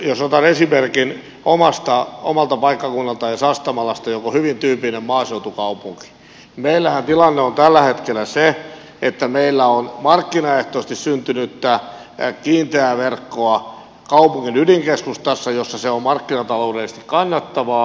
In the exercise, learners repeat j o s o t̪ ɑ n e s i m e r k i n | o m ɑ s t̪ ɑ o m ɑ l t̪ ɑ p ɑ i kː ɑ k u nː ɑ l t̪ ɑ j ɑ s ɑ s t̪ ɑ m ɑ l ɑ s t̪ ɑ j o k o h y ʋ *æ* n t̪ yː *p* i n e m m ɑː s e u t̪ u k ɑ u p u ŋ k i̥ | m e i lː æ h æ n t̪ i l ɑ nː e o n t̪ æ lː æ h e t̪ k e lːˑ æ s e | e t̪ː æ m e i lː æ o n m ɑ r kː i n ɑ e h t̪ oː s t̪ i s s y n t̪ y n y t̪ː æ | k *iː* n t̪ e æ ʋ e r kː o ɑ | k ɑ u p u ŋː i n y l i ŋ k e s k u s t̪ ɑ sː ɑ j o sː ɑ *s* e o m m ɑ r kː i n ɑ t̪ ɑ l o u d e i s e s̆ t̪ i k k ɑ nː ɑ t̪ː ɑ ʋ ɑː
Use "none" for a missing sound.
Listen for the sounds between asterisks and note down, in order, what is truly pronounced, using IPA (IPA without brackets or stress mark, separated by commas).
i, p, iː, s